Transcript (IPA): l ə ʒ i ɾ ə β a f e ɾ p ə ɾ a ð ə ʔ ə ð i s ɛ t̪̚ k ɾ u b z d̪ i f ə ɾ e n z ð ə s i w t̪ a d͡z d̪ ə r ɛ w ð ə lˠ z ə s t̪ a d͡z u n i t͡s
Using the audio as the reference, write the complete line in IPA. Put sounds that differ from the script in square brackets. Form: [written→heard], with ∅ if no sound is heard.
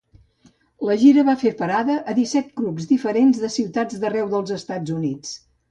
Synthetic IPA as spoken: l ə ʒ i ɾ ə β a f e ɾ p ə ɾ a ð ə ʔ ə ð i s ɛ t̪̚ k ɾ u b z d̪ i f ə ɾ e n z ð ə s i w t̪ a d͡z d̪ ə r ɛ w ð ə lˠ z ə s t̪ a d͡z u n i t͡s